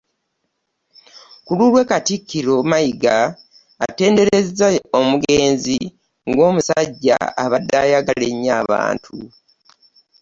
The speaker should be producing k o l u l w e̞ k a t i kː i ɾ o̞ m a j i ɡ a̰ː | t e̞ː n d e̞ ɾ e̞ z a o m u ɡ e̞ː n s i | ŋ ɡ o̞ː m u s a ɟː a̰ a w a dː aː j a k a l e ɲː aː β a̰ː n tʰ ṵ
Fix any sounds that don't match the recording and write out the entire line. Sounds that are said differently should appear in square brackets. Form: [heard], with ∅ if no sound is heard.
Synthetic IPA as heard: k [u] l u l w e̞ k a t i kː i ɾ o̞ m a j i ɡ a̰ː | t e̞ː n d e̞ ɾ e̞ z a o m u ɡ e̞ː n [z] i | ŋ ɡ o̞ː m u s a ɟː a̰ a [β] a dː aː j a [ɡ] a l e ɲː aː β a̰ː n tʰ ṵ